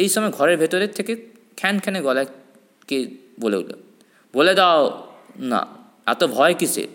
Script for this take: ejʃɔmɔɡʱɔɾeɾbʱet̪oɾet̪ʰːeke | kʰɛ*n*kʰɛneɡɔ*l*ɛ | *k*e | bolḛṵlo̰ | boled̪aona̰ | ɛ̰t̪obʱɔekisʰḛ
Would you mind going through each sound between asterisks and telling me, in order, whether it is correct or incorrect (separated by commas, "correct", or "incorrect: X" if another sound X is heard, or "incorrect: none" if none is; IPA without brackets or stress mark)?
correct, correct, correct